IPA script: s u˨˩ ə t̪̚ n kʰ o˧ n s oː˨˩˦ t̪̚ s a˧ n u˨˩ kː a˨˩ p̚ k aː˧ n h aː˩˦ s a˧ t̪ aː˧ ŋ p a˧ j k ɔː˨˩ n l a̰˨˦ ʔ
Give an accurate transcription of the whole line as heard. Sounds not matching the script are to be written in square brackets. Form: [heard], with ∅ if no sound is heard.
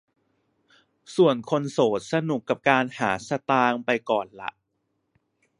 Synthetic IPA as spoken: s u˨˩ ə [∅] n kʰ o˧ n s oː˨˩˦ t̪̚ s a˧ n u˨˩ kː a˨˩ p̚ k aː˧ n h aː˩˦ s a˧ t̪ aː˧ ŋ p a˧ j k ɔː˨˩ n l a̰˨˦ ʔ